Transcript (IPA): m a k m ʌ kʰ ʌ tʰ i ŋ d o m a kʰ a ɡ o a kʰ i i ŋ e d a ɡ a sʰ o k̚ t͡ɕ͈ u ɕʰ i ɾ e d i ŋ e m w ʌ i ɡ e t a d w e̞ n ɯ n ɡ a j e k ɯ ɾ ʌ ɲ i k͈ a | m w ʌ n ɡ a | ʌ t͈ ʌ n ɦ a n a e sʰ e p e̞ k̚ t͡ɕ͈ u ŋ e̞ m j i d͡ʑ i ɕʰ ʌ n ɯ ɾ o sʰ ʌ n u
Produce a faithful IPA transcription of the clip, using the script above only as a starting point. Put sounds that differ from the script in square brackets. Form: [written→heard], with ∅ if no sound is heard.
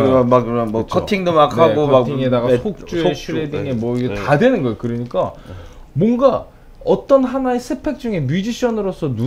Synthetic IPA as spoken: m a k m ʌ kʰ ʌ tʰ i ŋ d o m a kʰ a ɡ o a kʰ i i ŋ e d a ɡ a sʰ o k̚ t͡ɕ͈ u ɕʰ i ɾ e d i ŋ e m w ʌ i ɡ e t a d w e̞ n ɯ n ɡ [a→ʌ] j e k ɯ ɾ ʌ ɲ i k͈ a | m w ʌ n ɡ a | ʌ t͈ ʌ n ɦ a n a e sʰ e [p→pʰ] e̞ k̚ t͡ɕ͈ u ŋ e̞ m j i d͡ʑ i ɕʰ ʌ n ɯ ɾ o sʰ ʌ n u